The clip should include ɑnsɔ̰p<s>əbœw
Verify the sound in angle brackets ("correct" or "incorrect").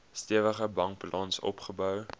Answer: incorrect